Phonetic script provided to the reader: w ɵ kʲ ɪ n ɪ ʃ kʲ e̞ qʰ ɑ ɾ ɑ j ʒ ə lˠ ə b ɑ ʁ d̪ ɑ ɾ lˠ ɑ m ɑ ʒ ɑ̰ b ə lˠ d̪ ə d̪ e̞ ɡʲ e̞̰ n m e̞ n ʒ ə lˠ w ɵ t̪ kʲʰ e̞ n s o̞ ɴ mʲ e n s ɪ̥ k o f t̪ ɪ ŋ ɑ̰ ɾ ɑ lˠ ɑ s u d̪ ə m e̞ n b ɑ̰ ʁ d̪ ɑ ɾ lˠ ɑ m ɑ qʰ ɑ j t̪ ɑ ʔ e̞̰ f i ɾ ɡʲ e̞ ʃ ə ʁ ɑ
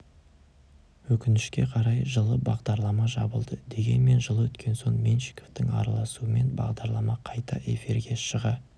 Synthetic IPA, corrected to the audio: w ɵ kʲ ɪ n ɪ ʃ kʲ e̞ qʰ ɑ ɾ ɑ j ʒ ə lˠ ə b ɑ ʁ d̪ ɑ ɾ lˠ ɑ m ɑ ʒ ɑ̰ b ə lˠ d̪ ə d̪ e̞ ɡʲ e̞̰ n m e̞ n ʒ ə lˠ w ɵ t̪ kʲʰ e̞ n s o̞ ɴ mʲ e n ʃ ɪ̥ k o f t̪ ɪ ŋ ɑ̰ ɾ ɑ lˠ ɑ s u ə m e̞ n b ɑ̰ ʁ d̪ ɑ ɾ lˠ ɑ m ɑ qʰ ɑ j t̪ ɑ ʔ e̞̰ f i ɾ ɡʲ e̞ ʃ ə ʁ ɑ